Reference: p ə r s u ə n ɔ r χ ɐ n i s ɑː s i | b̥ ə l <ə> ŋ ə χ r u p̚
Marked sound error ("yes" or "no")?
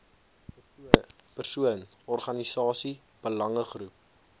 yes